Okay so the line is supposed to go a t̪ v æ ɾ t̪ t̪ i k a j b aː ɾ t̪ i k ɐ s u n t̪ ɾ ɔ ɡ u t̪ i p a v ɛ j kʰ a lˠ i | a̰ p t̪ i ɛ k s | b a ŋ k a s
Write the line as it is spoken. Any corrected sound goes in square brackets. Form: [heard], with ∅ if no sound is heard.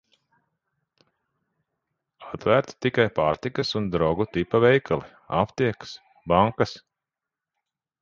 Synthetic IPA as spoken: a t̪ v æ ɾ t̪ t̪ i k a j [p] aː ɾ t̪ i k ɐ s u n [d̪] ɾ ɔ ɡ u t̪ i p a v ɛ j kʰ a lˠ i | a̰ p t̪ i ɛ k s | b a ŋ k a s